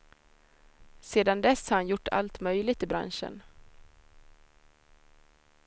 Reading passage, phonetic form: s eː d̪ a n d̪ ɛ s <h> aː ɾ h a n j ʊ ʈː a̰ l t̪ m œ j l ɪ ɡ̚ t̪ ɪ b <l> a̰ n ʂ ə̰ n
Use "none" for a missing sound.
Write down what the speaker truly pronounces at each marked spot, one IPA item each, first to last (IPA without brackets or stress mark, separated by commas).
h, ɾ